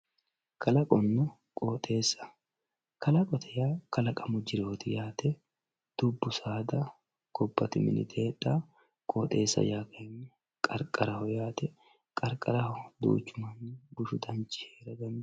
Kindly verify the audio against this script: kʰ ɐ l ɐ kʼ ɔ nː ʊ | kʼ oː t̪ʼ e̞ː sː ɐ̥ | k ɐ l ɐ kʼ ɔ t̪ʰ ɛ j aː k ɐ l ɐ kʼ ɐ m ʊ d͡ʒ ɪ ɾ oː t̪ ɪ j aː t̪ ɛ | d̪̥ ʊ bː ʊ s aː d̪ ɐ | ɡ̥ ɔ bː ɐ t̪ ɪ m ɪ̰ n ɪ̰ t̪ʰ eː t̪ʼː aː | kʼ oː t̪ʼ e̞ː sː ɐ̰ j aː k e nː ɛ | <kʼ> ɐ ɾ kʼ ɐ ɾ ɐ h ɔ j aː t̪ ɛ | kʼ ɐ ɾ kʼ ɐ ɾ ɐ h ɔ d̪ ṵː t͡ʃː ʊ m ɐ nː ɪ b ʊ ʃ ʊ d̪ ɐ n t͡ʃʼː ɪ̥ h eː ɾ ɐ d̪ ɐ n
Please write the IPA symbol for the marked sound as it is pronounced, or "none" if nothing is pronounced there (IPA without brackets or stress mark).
kʼ